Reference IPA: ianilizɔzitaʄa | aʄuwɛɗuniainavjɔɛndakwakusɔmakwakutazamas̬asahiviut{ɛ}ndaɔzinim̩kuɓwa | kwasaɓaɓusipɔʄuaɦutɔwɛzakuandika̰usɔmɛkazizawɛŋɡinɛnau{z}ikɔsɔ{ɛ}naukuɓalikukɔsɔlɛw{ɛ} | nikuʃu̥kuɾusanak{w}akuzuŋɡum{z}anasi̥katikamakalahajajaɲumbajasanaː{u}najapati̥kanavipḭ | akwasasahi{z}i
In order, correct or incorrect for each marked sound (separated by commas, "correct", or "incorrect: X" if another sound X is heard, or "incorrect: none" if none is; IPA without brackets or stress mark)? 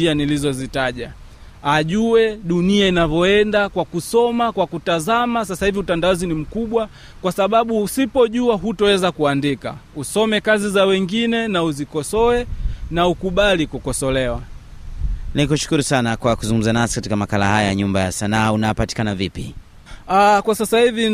incorrect: a, correct, correct, incorrect: a, correct, correct, correct, incorrect: v